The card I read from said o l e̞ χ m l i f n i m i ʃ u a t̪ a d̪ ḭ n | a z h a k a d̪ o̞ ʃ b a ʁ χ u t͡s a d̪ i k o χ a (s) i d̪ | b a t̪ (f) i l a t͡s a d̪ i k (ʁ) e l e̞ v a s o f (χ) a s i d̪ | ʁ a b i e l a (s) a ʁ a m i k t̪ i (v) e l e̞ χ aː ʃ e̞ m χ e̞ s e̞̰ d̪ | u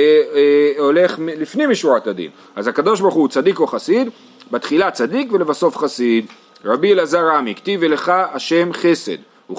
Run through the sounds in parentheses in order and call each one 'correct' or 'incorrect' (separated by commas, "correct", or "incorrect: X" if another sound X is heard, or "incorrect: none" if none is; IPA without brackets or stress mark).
correct, incorrect: χ, incorrect: v, correct, incorrect: z, correct